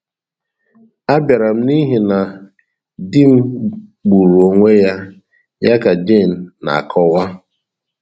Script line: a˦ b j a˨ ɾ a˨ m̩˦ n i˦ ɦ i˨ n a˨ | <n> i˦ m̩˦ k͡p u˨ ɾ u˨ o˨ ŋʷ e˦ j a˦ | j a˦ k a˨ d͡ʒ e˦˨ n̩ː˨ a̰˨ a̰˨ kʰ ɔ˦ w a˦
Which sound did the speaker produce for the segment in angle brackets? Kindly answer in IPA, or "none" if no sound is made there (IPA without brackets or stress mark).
d